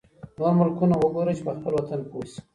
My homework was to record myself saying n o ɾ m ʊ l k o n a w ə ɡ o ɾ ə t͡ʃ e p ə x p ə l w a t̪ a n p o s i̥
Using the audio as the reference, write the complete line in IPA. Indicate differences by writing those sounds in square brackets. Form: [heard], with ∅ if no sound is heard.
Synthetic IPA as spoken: n o ɾ m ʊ l k [u] n a w ə ɡ o ɾ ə t͡ʃ e p ə x p ə l w a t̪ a n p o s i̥